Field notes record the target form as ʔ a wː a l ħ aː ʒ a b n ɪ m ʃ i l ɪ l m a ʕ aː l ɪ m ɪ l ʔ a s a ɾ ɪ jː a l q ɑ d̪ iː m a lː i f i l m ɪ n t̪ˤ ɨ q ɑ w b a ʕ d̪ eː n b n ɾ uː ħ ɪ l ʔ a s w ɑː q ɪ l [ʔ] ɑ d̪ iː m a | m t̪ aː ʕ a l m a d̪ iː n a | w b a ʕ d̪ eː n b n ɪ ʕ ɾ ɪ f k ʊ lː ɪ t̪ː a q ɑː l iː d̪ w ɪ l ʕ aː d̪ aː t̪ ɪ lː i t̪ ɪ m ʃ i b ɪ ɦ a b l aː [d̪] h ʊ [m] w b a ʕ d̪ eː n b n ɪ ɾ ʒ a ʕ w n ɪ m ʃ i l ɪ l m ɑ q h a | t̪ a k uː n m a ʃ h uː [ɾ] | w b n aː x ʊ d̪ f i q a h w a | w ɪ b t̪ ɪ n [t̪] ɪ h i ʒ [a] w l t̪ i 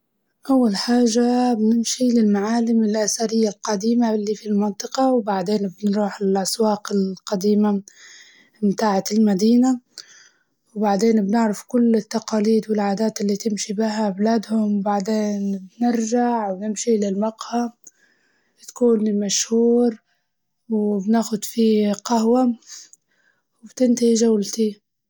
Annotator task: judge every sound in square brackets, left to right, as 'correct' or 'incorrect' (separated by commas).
incorrect, correct, correct, correct, correct, correct